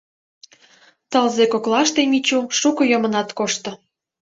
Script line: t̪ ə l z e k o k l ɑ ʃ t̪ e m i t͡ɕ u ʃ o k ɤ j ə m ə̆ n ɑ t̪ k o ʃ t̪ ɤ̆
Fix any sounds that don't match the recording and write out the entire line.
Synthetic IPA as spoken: t̪ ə l z e k o k l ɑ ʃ t̪ e m i t͡ɕ u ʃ u k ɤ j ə m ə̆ n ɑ t̪ k o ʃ t̪ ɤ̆

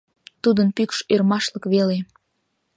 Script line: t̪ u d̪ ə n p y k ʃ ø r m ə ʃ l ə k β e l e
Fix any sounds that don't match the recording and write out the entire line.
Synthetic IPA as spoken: t̪ u d̪ ə n p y k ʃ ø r m ɑ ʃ l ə k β e l e

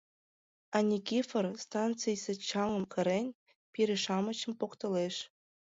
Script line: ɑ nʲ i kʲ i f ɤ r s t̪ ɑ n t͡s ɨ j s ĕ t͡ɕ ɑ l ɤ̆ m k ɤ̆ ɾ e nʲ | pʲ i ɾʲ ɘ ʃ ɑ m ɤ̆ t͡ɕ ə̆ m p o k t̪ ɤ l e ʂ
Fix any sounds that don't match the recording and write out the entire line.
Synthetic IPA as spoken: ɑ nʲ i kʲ i f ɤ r s t̪ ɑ n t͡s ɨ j s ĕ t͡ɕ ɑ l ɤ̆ m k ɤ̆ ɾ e nʲ | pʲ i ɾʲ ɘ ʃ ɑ m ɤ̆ t͡ɕ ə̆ m p o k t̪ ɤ l e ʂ

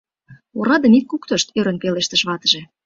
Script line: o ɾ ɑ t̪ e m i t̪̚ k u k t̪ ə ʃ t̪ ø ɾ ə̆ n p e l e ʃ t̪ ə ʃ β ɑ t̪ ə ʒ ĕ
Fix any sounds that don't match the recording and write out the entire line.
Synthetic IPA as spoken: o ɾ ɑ d̪ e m i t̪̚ k u k t̪ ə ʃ t̪ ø ɾ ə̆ n p e l e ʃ t̪ ə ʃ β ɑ t̪ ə ʒ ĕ

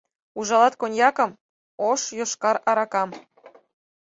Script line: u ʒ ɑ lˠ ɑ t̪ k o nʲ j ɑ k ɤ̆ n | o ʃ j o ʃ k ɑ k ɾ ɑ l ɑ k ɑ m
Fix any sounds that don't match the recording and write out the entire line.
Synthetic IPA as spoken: u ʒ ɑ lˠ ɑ t̪ k o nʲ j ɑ k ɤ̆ m | o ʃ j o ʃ k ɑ ɾ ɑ ɾ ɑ k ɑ m

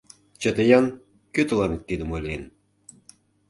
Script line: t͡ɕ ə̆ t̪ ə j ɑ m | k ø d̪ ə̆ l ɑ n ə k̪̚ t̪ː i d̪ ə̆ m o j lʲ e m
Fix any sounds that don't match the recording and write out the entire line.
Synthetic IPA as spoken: t͡ɕ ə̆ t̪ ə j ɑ n | k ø t̪ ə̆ l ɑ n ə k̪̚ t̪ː i d̪ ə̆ m o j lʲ e n

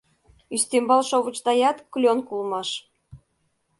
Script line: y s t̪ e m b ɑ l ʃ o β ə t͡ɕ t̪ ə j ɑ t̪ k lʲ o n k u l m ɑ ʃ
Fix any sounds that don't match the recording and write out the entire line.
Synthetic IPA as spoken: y s t̪ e m b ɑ l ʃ o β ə t͡ɕ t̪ ɑ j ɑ t̪ k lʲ o n k u l m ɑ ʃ

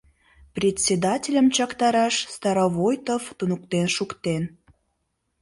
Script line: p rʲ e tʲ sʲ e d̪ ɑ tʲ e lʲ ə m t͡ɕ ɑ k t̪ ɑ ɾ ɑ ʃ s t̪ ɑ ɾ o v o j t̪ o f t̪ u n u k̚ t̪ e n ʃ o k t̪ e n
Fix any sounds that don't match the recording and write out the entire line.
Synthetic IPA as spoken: p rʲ e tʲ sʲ e d̪ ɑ tʲ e lʲ ə m t͡ɕ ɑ k t̪ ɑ ɾ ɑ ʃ s t̪ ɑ ɾ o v o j t̪ o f t̪ u n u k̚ t̪ e n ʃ u k t̪ e n

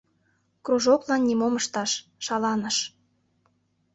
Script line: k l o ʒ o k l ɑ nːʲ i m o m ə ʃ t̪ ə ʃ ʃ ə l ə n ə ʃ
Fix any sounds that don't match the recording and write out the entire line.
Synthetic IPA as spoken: k r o ʒ o k l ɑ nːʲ i m o m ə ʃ t̪ ɑ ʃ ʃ ɑ l ɑ n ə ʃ

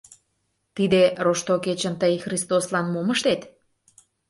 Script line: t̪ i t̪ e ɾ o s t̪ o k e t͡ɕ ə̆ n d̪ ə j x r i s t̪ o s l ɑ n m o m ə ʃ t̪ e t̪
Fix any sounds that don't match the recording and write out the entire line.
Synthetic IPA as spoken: t̪ i d̪ e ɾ o ʃ t̪ o k e t͡ɕ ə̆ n t̪ ə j x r i s t̪ o s l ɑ n m o m ə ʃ t̪ e t̪

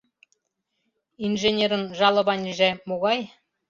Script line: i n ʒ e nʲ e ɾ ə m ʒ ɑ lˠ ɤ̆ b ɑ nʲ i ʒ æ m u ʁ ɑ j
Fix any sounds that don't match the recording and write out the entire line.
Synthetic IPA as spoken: i n ʒ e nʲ e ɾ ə n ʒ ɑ lˠ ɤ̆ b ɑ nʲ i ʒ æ m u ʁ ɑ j

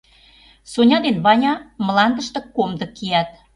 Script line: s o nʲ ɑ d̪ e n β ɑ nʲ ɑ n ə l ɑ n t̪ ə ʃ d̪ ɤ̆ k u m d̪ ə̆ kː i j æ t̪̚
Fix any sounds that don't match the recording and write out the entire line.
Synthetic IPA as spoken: s o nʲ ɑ d̪ e n β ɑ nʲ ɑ m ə l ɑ n d̪ ə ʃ t̪ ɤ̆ k o m d̪ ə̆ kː i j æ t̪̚

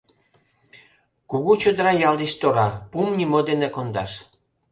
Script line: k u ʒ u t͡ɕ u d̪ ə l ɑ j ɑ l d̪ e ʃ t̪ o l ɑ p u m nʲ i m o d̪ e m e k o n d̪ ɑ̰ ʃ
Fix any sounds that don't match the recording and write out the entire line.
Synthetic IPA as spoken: k u ɣ u t͡ɕ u d̪ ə ɾ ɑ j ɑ l d̪ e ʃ t̪ o ɾ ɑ p u m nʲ i m o d̪ e n e k o n d̪ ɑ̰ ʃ

